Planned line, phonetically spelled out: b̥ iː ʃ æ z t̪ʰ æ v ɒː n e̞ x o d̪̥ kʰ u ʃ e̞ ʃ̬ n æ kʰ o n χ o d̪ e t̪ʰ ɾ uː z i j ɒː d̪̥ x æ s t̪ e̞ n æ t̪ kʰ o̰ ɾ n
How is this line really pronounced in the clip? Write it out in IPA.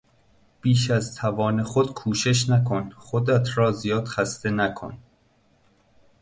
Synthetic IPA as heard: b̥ iː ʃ æ z t̪ʰ æ v ɒː n e̞ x o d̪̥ kʰ uː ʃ e̞ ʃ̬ n æ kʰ o n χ o d̪ æ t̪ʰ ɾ ɒː z i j ɒː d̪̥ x æ s t̪ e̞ n æ kʰ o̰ n